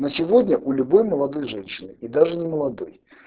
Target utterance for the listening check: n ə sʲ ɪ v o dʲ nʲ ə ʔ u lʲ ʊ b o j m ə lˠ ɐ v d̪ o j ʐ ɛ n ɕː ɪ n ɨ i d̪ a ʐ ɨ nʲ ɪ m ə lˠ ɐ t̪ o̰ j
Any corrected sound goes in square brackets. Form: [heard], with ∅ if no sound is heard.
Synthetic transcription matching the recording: n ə sʲ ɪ v o dʲ nʲ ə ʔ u lʲ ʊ b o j m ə lˠ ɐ [∅] d̪ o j ʐ ɛ n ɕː ɪ n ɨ i d̪ a ʐ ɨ nʲ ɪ m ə lˠ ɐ [d̪] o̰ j